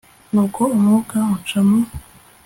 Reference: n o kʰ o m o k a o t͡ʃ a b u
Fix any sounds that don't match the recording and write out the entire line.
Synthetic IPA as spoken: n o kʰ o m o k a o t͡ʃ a m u